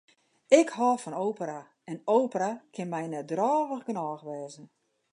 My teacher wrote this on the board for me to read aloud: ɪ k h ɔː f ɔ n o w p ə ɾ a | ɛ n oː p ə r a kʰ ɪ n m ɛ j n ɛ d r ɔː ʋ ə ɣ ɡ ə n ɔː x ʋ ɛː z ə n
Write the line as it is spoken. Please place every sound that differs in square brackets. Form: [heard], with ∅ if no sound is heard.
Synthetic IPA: ɪ k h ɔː f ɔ n o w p ə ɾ a | ɛ n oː p ə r a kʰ ɪ n m ɛ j n ɛ d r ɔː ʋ ə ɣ ɡ ə n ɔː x ʋ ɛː z ə n